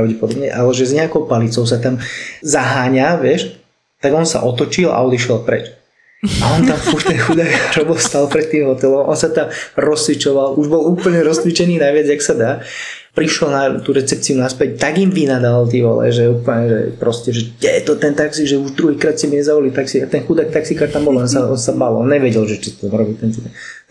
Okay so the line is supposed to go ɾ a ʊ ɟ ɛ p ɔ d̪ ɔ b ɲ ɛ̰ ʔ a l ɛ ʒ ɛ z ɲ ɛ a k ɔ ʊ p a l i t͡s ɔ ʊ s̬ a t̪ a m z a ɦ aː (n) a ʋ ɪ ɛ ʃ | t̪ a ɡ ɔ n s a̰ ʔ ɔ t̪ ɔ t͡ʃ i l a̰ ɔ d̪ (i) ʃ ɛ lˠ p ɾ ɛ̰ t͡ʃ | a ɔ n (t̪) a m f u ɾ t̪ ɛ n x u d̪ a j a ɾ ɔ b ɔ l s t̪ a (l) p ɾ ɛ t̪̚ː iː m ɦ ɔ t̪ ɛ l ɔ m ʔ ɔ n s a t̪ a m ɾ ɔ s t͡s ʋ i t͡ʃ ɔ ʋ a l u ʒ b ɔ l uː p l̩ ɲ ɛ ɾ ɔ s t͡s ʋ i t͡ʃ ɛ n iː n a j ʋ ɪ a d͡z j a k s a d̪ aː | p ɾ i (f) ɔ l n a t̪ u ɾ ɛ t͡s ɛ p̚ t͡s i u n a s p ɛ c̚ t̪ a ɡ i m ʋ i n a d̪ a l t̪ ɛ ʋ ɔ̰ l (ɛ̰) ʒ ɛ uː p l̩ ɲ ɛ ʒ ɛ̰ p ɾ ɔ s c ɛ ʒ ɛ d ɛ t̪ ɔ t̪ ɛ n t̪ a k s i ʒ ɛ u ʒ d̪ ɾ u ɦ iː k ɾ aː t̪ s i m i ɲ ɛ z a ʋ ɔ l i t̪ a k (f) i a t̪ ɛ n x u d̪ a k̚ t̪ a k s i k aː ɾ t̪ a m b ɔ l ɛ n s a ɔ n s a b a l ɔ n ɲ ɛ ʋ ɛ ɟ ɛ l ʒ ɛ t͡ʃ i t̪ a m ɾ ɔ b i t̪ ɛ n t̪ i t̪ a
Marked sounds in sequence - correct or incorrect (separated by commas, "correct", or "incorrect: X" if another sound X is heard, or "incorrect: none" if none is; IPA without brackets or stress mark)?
incorrect: ɲ, correct, correct, correct, incorrect: ʃ, correct, incorrect: s